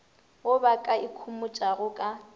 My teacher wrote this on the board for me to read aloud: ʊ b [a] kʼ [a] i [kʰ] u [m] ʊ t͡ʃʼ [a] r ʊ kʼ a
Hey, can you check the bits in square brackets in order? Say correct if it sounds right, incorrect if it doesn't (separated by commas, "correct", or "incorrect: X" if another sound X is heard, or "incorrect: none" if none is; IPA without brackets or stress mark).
correct, correct, correct, correct, correct